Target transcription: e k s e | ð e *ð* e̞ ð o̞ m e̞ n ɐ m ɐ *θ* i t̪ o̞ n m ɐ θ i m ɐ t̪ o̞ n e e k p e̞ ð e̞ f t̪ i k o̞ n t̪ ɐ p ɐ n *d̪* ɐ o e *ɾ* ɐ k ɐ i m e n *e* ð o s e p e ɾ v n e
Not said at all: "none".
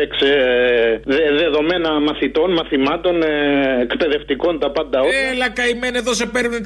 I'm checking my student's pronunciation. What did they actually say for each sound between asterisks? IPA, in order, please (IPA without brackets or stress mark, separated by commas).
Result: ð, θ, d̪, l, e